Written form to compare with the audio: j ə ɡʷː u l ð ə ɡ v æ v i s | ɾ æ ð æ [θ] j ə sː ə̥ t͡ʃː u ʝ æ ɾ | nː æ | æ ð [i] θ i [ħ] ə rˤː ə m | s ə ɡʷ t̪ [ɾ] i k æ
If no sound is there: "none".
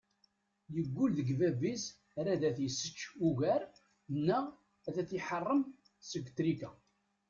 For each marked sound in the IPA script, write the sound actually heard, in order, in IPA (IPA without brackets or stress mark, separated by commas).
θ, æ, ħ, ɾ